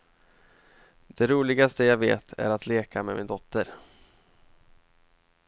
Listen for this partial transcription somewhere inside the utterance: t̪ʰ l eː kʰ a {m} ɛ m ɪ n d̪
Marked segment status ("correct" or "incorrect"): correct